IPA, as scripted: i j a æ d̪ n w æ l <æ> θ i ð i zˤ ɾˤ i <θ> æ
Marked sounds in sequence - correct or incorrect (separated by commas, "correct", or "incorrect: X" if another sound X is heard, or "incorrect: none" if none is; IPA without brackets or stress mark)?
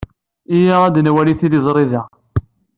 incorrect: i, incorrect: ð